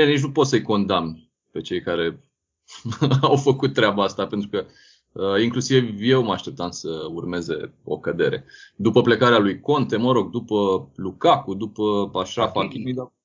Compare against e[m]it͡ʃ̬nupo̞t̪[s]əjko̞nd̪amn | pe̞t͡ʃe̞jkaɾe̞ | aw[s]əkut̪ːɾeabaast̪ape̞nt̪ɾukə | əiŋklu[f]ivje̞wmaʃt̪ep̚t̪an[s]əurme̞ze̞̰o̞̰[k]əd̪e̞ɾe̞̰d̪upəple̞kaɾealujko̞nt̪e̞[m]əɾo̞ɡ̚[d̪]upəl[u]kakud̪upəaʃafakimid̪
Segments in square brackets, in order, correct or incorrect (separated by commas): incorrect, correct, incorrect, incorrect, correct, correct, correct, correct, correct